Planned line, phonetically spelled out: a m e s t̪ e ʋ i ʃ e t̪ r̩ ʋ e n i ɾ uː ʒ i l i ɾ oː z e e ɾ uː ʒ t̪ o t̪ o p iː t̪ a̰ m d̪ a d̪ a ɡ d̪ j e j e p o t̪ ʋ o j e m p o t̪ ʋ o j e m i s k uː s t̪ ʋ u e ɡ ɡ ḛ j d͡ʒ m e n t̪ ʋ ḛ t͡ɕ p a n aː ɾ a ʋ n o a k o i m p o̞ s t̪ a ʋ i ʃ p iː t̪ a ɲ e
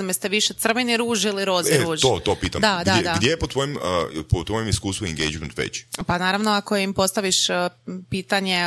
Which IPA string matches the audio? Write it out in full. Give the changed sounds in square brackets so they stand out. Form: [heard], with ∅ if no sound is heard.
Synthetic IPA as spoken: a m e s t̪ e ʋ i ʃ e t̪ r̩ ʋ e n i ɾ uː ʒ i l i ɾ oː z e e ɾ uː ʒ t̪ o t̪ o p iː t̪ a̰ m d̪ a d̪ a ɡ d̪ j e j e p o t̪ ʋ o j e m p o t̪ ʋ o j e m i s k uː s t̪ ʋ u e [ŋ] ɡ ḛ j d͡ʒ m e n t̪ ʋ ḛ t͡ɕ p a n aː ɾ a ʋ n o a k o i m p o̞ s t̪ a ʋ i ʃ p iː t̪ a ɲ e